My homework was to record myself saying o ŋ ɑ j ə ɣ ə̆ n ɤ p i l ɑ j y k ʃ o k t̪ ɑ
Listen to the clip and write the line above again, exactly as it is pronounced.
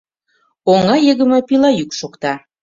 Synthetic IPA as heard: o ŋ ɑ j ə ɣ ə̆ m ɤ p i l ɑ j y k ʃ o k t̪ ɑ